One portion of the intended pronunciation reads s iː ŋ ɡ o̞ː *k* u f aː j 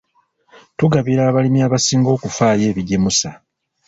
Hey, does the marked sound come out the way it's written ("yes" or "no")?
yes